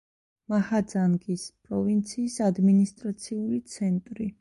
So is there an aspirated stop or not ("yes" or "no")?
no